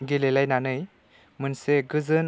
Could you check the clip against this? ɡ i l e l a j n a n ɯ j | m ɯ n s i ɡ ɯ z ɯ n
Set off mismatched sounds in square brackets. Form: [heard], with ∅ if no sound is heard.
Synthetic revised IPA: ɡ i l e l a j n a n ɯ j | m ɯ n s [e] ɡ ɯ z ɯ n

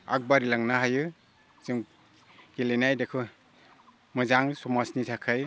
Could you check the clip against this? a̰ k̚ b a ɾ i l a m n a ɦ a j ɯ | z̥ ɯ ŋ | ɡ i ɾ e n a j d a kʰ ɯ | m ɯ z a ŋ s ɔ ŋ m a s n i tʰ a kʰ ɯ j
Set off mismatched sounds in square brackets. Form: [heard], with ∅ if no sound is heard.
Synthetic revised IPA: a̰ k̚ b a ɾ i l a [ŋ] n a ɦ a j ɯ | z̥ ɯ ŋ | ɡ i [l] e n a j d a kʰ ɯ | m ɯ z a ŋ s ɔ [∅] m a s n i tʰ a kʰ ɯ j

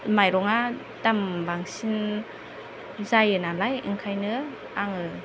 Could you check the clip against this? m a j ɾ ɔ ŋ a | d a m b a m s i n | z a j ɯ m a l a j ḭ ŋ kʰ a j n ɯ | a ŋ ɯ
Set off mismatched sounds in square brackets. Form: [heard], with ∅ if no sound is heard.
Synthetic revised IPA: m a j ɾ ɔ ŋ a | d a m b a [ŋ] s i n | z a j ɯ [n] a l a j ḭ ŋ kʰ a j n ɯ | a ŋ ɯ

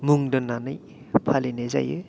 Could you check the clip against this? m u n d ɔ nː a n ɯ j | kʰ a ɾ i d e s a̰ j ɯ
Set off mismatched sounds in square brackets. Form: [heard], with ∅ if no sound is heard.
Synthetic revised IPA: m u [ŋ] d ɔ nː a n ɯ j | [pʰ] a [l] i [n] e [z] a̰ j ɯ

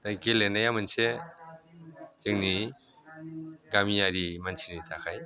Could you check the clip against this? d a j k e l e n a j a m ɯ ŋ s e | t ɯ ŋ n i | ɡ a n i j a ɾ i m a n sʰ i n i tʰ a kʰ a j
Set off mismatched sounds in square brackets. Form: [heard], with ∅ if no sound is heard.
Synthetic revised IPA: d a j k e l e n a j a m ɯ [n] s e | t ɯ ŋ n i | ɡ a [m] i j a ɾ i m a n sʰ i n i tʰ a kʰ a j

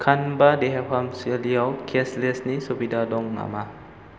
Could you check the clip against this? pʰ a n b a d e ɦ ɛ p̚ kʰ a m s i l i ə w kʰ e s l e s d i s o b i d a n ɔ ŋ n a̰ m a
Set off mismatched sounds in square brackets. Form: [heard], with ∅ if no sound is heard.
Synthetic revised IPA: [kʰ] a n b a d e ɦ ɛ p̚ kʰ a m s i l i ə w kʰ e s l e s [n] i s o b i d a [d] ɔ ŋ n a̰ m a

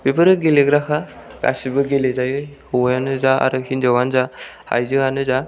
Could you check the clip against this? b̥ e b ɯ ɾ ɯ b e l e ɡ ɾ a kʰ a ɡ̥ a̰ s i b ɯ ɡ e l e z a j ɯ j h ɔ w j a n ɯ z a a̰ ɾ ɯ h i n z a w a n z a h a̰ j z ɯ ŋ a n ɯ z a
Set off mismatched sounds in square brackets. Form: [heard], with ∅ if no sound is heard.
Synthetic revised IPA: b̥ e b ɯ ɾ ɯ [ɡ] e l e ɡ ɾ a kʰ a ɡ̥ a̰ s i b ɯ ɡ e l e z a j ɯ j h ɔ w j a n ɯ z a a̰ ɾ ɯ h i n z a w a n z a h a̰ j z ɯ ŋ a n ɯ z a

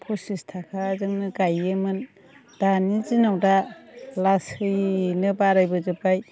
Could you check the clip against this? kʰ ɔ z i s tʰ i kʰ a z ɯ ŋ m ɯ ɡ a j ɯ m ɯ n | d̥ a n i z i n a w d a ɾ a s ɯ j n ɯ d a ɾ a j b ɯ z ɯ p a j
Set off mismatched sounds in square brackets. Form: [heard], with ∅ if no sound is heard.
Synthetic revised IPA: [pʰ] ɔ [s] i s tʰ [a] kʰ a z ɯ ŋ [n] ɯ ɡ a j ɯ m ɯ n | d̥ a n i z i n a w d a [l] a s ɯ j n ɯ [b] a ɾ a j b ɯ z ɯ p a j

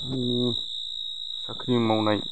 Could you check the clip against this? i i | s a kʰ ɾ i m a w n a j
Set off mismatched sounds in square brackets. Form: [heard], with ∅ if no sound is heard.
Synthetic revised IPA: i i | s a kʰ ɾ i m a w n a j

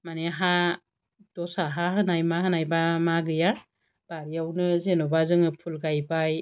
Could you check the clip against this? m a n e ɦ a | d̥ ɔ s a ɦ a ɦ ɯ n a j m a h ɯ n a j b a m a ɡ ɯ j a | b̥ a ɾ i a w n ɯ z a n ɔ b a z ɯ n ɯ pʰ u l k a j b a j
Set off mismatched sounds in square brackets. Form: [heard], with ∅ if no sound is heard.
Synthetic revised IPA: m a n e ɦ a | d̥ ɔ s a ɦ a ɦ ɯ n a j m a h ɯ n a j b a m a ɡ ɯ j a | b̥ a ɾ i a w n ɯ z [e] n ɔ b a z ɯ [ŋ] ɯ pʰ u l [ɡ] a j b a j

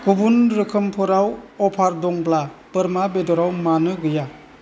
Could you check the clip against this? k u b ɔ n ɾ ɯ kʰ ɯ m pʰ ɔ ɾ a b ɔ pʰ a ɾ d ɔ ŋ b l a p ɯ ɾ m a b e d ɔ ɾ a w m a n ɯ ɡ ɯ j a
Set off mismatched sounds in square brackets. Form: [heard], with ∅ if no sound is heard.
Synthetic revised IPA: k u b [u] n ɾ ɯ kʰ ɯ m pʰ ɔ ɾ a [w] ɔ pʰ a ɾ d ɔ ŋ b l a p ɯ ɾ m a b e d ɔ ɾ a w m a n ɯ ɡ ɯ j a

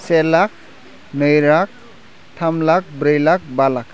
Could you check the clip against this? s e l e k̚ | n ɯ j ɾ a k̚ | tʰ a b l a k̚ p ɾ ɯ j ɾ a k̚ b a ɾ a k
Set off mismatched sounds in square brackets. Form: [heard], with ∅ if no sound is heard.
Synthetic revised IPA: s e l [a] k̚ | n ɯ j ɾ a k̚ | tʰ a [m] l a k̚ [b] ɾ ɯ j [l] a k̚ b a [l] a k

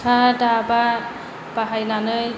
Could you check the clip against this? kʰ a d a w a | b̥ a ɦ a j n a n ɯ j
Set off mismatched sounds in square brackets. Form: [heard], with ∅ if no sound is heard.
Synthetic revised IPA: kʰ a d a [b] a | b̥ a ɦ a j n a n ɯ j

